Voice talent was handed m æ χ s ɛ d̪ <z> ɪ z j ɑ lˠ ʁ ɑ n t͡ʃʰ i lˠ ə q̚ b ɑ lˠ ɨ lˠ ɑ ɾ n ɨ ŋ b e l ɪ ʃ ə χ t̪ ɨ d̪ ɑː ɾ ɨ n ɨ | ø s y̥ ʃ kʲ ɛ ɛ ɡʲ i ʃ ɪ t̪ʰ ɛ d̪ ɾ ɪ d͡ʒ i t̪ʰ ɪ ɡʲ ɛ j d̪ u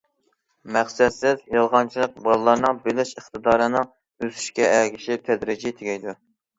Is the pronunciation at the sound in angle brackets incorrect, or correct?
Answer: incorrect